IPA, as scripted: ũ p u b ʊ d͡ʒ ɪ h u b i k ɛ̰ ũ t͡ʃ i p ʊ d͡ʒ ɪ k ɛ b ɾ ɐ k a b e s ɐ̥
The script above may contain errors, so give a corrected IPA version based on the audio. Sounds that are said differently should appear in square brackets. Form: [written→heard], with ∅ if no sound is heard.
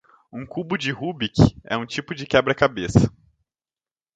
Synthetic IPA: ũ [p→k] u b ʊ d͡ʒ ɪ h u b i k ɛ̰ ũ t͡ʃ i p ʊ d͡ʒ ɪ k ɛ b ɾ ɐ k a b e s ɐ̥